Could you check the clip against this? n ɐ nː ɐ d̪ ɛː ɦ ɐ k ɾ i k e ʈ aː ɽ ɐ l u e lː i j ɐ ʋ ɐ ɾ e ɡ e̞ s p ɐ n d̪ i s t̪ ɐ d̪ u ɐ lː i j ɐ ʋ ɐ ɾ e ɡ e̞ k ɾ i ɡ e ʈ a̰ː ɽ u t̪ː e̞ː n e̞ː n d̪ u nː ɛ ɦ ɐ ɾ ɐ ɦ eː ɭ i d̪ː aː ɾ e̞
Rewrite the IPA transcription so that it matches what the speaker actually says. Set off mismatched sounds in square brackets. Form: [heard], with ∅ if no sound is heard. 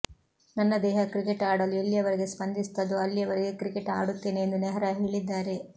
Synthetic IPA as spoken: n ɐ nː ɐ d̪ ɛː ɦ ɐ k ɾ i k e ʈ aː ɽ ɐ l u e lː i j ɐ ʋ ɐ ɾ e ɡ e̞ s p ɐ n d̪ i s t̪ ɐ d̪ u ɐ lː i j ɐ ʋ ɐ ɾ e ɡ e̞ k ɾ i [k] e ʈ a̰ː ɽ u t̪ː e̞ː n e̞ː n d̪ u [n] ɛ ɦ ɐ ɾ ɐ ɦ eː ɭ i d̪ː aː ɾ e̞